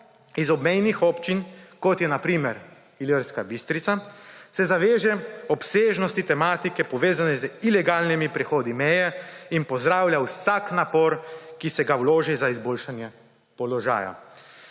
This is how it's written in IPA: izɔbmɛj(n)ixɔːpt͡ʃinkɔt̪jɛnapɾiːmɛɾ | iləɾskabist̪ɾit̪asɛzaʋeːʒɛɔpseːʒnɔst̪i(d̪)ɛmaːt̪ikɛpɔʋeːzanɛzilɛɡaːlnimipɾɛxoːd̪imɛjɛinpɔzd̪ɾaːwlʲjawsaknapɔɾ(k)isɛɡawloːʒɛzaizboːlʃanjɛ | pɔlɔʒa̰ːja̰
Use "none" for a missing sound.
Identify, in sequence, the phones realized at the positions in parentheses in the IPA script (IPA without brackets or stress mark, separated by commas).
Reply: n, t̪, k